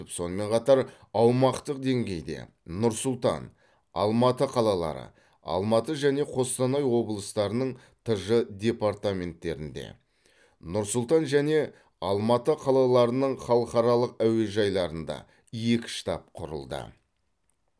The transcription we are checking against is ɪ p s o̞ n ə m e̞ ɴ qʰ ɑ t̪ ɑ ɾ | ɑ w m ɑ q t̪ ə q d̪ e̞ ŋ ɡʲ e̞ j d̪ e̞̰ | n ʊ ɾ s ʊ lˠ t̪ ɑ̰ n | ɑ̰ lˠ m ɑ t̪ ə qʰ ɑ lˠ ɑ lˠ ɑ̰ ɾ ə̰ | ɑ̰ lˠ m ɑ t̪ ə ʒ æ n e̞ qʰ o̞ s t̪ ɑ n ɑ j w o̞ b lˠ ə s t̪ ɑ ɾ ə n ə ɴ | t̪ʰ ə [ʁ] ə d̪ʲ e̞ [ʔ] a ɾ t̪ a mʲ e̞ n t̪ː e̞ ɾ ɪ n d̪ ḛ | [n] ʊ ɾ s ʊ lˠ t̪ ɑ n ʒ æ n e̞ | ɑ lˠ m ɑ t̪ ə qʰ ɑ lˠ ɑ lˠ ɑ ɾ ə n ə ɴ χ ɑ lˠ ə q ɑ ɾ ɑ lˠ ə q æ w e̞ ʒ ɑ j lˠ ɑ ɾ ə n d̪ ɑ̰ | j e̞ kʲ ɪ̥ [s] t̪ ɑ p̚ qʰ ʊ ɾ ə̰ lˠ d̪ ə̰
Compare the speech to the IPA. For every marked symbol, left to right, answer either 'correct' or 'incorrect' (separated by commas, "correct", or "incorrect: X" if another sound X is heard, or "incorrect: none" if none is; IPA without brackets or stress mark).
incorrect: ʒ, incorrect: p, correct, incorrect: ʃ